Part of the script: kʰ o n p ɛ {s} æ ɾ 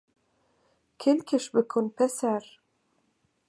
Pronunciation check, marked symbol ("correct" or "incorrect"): correct